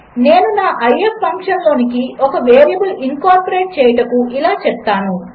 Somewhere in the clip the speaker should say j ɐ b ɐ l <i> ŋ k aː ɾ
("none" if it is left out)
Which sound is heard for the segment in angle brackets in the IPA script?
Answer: i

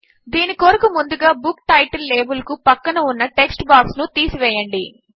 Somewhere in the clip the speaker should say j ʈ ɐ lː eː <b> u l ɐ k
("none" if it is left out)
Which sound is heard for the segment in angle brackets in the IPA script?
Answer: b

